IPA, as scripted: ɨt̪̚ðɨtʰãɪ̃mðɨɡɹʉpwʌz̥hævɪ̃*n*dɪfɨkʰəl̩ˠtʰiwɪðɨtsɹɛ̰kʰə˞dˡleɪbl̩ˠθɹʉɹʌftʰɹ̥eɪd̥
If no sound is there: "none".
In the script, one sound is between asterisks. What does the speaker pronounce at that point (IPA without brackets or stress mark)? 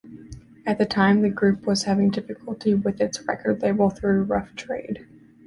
ŋ